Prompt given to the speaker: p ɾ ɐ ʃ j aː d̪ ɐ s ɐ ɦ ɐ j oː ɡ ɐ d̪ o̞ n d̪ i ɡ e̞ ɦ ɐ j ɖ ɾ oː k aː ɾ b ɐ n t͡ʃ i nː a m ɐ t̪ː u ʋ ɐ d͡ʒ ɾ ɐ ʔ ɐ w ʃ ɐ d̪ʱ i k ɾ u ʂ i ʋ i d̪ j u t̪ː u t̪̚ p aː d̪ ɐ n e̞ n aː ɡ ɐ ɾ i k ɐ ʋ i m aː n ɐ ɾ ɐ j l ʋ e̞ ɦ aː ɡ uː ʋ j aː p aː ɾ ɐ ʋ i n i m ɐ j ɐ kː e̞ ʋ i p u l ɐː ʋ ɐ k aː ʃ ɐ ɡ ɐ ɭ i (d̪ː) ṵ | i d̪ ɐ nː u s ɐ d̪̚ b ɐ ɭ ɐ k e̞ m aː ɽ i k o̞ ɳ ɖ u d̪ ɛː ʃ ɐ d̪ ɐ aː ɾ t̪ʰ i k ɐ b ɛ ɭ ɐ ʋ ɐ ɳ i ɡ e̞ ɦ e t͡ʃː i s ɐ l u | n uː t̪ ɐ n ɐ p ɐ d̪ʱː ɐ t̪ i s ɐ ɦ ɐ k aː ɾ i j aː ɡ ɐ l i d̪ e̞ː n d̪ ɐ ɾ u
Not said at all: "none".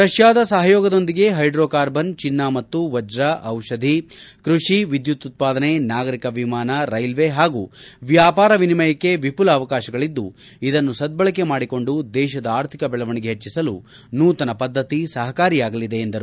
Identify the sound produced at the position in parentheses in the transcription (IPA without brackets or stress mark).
d̪ː